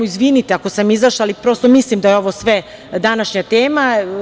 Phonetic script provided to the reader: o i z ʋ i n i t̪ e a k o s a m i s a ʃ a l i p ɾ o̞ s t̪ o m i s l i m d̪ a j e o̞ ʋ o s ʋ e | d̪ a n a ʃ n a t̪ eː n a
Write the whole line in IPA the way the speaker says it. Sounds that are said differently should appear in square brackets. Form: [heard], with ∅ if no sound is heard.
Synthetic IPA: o i z ʋ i n i t̪ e a k o s a m i [z] a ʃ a l i p ɾ o̞ s t̪ o m i s l i m d̪ a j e o̞ ʋ o s ʋ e | d̪ a n a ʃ [ɲ] a t̪ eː [m] a